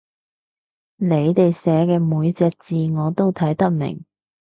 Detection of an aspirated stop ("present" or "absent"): present